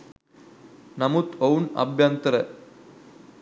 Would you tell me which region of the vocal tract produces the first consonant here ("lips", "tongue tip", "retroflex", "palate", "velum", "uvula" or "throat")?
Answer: tongue tip